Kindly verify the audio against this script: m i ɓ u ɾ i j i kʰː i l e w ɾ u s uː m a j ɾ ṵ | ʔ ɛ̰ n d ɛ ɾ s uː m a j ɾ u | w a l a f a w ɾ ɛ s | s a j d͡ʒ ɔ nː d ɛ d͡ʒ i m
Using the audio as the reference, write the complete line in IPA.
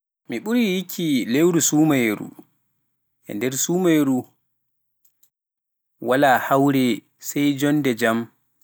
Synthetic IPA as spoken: m i ɓ u ɾ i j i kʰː i l e w ɾ u s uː m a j ɾ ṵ | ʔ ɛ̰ n d ɛ ɾ s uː m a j ɾ u | w a l a h a w ɾ ɛ | s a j d͡ʒ ɔ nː d ɛ d͡ʒ a m